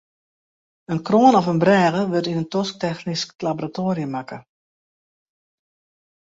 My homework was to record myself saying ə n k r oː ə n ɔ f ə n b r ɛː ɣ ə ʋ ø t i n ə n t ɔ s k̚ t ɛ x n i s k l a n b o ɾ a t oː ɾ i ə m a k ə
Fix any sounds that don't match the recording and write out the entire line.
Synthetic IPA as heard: ə n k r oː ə n ɔ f ə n b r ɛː ɣ ə ʋ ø t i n ə n t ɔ s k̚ t ɛ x n i s k l a b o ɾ a t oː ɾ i ə m a k ə